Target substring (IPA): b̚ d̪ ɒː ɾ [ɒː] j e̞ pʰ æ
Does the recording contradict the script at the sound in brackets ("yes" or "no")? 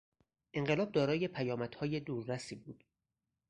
no